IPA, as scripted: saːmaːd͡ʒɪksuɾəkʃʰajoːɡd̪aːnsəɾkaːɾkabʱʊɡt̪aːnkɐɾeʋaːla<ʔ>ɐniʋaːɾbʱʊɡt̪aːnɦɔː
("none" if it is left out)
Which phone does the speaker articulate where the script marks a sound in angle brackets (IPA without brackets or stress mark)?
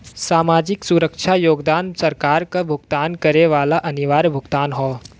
ʔ